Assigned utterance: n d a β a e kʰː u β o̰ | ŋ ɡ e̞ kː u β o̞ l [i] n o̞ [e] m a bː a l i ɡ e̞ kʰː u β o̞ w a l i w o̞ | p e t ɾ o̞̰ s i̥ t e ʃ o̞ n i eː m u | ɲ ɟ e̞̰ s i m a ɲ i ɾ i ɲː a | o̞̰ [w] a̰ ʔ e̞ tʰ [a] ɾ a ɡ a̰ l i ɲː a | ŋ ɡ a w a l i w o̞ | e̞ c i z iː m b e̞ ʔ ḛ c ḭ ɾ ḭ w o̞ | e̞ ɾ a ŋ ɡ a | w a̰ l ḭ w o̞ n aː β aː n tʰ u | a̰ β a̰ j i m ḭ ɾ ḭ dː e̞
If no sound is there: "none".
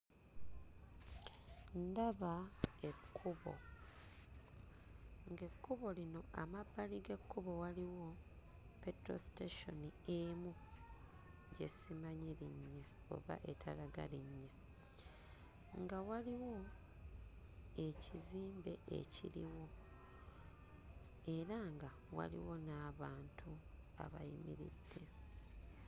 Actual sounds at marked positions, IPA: i, a, β, a

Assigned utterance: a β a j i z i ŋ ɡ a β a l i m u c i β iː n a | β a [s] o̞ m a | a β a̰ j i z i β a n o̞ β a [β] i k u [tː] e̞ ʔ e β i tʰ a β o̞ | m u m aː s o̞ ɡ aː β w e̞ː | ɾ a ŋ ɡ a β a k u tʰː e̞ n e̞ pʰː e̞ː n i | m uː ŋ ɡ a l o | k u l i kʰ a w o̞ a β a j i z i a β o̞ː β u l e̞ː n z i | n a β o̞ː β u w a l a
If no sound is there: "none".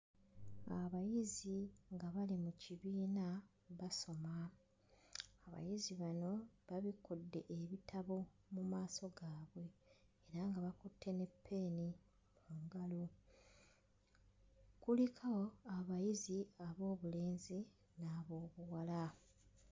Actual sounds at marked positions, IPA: s, β, dː

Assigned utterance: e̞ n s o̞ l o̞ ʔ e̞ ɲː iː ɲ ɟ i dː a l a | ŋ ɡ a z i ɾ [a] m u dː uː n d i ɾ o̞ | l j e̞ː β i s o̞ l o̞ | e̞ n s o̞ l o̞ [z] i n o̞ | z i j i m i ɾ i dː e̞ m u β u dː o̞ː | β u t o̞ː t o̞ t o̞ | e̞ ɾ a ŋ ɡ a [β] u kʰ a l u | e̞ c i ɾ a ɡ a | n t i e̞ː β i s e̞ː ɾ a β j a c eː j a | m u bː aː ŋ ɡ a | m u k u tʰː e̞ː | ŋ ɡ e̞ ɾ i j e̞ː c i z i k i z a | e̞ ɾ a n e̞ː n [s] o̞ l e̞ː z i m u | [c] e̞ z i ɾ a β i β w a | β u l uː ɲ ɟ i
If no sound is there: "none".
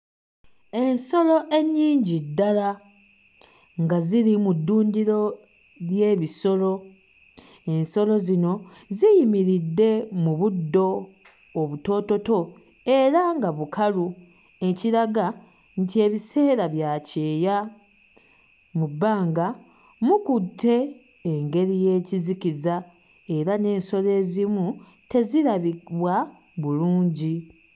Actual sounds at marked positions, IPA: i, z, β, s, t

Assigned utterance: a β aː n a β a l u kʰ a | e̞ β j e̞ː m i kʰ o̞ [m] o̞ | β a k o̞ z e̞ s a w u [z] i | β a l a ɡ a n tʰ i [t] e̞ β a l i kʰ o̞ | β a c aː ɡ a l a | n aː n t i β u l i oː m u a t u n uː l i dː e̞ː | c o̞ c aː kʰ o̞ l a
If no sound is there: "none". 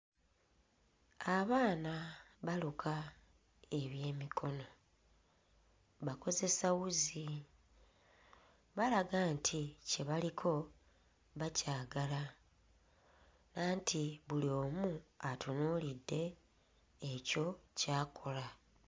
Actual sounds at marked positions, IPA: n, z, c

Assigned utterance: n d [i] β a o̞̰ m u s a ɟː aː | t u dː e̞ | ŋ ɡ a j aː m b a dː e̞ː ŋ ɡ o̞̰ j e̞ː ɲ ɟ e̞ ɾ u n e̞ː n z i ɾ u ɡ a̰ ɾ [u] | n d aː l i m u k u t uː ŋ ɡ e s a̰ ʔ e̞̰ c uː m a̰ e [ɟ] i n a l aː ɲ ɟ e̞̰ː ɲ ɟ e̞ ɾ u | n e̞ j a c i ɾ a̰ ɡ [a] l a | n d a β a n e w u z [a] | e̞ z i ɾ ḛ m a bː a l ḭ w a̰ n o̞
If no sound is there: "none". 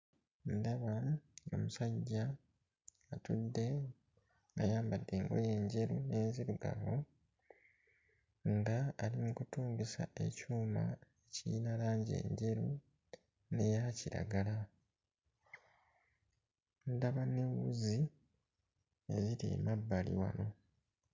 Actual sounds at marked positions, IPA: a, o, c, a, i

